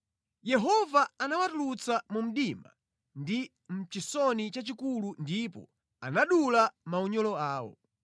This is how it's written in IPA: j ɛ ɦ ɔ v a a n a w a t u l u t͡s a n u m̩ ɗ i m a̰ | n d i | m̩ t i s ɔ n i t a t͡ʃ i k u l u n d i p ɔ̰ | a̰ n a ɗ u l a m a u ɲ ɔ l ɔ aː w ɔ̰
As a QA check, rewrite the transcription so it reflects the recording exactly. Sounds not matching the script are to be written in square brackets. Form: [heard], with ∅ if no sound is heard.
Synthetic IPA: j ɛ ɦ ɔ v a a n a w a t u l u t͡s a [m] u m̩ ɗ i m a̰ | n d i | m̩ [t͡ʃ] i s ɔ n i [t͡ʃ] a t͡ʃ i k u l u n d i p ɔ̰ | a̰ n a ɗ u l a m a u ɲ ɔ l ɔ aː w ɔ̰